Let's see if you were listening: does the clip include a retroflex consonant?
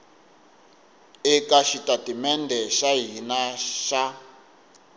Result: no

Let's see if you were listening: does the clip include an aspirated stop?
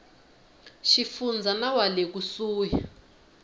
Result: no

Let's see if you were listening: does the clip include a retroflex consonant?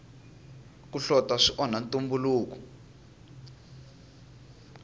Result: yes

